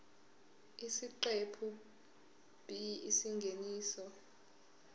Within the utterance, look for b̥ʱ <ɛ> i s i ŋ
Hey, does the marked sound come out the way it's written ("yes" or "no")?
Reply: no